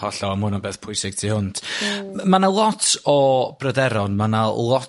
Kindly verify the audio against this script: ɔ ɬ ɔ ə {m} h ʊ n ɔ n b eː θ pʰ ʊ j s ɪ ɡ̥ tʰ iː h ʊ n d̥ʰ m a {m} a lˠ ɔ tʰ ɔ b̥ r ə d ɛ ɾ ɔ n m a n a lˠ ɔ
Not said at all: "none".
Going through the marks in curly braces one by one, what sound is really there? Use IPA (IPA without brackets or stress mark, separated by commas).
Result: m, n